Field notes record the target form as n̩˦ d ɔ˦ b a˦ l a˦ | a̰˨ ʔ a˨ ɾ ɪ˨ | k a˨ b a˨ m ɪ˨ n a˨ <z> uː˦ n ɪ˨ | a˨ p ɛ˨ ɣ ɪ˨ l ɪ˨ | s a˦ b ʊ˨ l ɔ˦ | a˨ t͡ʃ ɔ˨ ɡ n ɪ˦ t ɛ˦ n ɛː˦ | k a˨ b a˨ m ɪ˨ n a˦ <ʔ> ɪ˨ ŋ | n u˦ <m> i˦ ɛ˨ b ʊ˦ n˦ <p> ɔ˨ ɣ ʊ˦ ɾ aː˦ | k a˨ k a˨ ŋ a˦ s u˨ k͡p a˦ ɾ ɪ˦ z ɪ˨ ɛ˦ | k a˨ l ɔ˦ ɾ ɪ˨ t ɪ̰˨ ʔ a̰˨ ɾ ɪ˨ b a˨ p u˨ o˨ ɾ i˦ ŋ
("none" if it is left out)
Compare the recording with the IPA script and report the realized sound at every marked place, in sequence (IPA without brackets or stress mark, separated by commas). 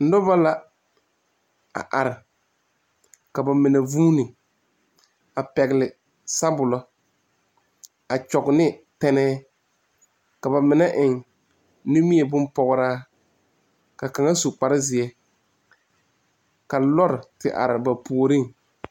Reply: v, ʔ, m, p